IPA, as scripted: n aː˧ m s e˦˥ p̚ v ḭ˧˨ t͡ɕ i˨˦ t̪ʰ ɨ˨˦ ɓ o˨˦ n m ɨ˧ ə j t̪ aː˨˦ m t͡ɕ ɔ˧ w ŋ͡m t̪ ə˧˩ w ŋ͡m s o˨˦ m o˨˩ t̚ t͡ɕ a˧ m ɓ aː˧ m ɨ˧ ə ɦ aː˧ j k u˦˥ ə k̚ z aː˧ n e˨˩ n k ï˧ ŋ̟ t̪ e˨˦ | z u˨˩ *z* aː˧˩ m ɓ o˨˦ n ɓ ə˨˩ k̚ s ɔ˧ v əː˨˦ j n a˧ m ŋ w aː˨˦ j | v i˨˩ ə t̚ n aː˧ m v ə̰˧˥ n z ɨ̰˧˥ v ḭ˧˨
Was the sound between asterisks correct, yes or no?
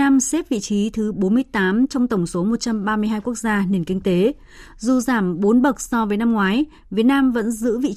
yes